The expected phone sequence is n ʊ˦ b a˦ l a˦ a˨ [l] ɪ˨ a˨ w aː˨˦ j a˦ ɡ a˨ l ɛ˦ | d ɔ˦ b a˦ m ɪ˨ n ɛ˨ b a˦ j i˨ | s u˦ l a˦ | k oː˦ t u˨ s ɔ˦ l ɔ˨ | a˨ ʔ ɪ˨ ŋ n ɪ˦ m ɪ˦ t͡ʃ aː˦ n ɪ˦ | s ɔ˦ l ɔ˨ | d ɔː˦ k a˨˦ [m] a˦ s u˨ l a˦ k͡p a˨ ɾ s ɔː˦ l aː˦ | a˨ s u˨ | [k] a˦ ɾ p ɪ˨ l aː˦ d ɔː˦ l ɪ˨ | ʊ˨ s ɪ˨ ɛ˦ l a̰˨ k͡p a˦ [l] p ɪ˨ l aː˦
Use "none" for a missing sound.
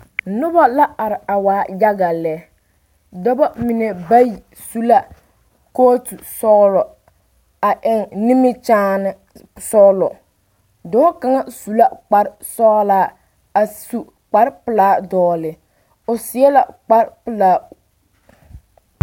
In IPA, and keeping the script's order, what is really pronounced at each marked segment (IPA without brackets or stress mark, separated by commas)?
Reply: ɾ, ŋ, k͡p, ɾ